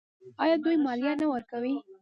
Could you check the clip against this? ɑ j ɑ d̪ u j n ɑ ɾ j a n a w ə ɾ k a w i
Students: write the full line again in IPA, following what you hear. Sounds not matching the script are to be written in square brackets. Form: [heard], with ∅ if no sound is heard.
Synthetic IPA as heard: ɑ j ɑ d̪ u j [m] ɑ [l] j a n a w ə ɾ k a w i

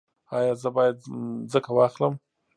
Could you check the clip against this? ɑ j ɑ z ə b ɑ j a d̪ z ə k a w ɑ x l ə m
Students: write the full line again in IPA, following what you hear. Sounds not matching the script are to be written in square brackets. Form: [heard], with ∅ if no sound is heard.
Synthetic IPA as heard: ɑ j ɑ z ə b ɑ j a d̪ z ə k a w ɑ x l ə m

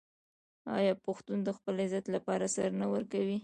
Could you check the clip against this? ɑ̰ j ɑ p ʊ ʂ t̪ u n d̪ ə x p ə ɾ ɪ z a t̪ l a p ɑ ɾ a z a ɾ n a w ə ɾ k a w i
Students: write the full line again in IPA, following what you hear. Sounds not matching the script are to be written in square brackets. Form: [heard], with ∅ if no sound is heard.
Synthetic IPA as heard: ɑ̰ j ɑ p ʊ [x] t̪ u n d̪ ə x p ə [l] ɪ z a t̪ l a p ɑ ɾ a [s] a ɾ n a w ə ɾ k a w i

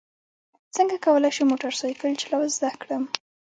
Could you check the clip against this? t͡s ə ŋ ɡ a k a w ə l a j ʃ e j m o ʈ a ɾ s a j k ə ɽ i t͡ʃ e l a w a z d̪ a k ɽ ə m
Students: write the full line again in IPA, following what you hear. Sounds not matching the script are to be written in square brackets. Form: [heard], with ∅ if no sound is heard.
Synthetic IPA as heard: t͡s ə ŋ ɡ a k a w ə l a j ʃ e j m o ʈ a ɾ s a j k ə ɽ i t͡ʃ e l a w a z d̪ a k ɽ ə m

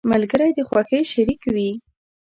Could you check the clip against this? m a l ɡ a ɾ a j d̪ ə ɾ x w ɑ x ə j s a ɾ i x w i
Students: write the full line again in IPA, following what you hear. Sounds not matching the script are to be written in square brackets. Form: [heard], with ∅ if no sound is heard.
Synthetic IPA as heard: m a l ɡ [ə] ɾ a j d̪ ə [∅] x w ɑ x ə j [ʃ] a ɾ i [k] w i

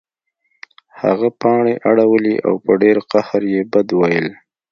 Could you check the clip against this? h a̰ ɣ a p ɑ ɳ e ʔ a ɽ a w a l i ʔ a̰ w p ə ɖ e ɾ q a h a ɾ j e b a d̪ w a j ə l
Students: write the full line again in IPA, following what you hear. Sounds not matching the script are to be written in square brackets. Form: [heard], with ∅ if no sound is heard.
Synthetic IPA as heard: h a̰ ɣ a p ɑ ɳ e ʔ a ɽ a w [ə] l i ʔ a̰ w p ə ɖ e ɾ q a h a ɾ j e b a d̪ w a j ə l

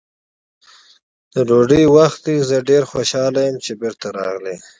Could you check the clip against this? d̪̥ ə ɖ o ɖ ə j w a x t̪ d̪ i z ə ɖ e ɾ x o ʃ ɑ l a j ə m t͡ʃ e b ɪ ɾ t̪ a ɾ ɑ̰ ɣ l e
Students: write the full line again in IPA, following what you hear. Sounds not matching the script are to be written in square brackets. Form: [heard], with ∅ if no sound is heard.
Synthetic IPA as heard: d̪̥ ə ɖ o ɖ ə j w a x t̪ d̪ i z ə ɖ e ɾ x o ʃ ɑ l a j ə m t͡ʃ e b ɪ ɾ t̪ a ɾ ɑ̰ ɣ l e

